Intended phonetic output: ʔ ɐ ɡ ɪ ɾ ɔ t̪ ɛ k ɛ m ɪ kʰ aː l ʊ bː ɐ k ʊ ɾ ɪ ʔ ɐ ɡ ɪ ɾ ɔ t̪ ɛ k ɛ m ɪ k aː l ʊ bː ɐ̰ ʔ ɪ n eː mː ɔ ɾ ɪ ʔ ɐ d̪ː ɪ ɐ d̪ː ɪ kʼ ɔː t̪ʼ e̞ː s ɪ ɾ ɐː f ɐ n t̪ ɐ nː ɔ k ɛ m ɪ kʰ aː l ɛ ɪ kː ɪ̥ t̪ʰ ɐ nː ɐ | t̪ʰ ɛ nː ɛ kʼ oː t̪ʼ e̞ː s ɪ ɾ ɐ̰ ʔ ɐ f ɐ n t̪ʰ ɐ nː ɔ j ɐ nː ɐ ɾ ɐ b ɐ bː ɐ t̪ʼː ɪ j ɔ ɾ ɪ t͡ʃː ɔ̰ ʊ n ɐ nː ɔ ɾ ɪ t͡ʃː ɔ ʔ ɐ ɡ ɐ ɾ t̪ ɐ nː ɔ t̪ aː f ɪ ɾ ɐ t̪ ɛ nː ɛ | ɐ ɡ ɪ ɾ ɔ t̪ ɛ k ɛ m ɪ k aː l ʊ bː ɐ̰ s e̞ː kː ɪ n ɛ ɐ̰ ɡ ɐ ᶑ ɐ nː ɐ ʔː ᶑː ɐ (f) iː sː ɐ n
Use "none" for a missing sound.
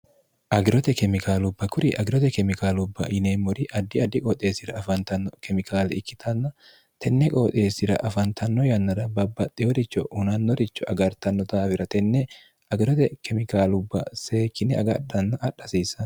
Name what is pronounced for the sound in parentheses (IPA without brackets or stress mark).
s